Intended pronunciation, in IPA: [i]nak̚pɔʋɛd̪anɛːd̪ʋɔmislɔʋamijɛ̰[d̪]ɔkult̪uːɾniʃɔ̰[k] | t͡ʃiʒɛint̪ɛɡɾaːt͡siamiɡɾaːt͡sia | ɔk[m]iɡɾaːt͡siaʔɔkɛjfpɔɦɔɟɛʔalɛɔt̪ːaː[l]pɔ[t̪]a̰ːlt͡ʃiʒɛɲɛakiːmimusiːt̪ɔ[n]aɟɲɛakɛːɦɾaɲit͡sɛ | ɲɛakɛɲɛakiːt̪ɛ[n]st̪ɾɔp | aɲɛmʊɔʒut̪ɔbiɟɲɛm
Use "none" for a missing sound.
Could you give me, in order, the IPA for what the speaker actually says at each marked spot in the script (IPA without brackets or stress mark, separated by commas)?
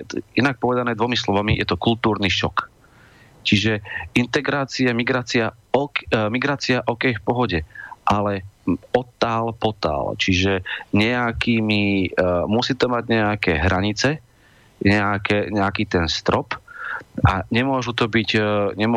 i, t̪, k, m, l, t̪, m, n